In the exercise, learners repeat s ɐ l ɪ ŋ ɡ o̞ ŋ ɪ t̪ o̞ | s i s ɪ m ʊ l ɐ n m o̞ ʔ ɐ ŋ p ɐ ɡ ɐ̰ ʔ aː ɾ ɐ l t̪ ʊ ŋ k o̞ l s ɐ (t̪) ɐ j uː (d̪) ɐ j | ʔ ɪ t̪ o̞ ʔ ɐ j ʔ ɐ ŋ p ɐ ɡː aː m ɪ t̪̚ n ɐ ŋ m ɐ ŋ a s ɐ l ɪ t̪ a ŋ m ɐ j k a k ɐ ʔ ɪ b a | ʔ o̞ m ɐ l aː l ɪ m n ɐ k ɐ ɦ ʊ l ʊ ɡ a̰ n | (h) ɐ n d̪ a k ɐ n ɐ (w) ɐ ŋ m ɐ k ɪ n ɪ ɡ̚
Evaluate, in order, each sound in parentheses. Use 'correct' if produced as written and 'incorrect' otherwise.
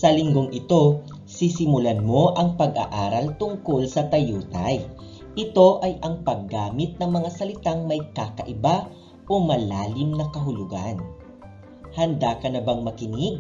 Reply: correct, incorrect, correct, incorrect

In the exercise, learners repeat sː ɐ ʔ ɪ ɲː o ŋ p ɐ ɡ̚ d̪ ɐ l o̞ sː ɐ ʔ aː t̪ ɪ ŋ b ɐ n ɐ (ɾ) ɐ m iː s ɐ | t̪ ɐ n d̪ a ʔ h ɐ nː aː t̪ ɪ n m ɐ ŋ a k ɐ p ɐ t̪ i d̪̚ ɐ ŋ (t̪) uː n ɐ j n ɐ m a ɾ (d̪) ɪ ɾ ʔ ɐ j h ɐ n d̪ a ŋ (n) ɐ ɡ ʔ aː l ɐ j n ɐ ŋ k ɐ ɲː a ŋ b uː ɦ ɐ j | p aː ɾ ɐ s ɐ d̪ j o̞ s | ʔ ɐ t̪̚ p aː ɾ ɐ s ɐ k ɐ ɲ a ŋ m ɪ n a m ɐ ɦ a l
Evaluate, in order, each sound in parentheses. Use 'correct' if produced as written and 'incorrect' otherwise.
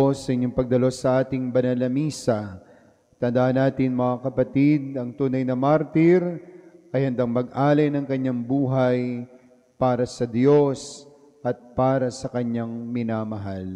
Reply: incorrect, correct, incorrect, incorrect

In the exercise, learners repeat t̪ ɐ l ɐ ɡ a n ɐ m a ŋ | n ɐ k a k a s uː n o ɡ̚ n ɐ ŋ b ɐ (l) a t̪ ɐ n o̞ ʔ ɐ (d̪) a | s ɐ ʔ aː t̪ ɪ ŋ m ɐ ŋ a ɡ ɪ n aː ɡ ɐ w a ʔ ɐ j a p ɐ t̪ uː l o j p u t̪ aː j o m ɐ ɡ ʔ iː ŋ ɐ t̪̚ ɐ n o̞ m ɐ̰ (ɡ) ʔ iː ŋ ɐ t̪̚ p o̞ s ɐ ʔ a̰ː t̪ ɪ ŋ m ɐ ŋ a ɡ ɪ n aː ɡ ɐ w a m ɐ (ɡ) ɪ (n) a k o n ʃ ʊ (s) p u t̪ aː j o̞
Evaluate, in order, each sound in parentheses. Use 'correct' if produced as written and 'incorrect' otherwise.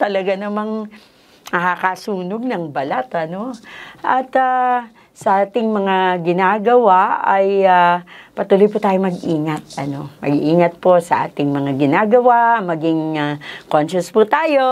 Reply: correct, incorrect, correct, correct, incorrect, correct

